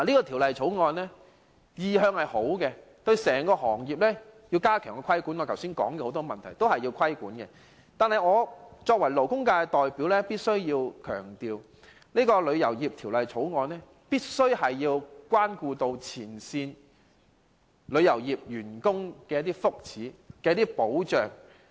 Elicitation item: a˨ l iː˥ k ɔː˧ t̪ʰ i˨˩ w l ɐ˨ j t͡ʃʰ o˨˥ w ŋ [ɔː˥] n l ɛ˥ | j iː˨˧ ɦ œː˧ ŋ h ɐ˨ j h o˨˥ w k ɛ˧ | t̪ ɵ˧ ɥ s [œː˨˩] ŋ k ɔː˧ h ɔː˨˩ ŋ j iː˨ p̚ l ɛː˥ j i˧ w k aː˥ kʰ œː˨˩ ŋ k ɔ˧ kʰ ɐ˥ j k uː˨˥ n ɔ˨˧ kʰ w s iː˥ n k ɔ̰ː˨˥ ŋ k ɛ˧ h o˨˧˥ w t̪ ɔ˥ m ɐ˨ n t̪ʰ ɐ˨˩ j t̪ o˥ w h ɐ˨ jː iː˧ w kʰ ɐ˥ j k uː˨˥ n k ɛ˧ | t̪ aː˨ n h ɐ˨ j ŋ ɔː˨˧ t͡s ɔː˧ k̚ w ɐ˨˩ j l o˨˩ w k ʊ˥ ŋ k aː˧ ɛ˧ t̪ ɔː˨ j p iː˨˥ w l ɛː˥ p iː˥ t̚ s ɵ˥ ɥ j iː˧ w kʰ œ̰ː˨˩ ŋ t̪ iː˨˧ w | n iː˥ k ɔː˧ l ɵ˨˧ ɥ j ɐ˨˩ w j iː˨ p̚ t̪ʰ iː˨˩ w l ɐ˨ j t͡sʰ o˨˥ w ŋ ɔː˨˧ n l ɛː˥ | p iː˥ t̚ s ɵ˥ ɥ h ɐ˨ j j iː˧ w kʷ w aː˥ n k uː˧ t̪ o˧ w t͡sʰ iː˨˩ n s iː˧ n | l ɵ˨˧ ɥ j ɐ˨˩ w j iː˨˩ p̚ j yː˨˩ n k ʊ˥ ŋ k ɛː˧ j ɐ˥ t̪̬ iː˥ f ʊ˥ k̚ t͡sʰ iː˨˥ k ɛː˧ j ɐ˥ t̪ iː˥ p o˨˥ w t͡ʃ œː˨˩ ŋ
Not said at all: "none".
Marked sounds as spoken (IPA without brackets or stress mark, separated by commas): ɔː˧, ɛː˨˩